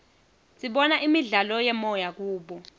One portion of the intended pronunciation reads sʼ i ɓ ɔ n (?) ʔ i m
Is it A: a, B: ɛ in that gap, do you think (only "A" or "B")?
A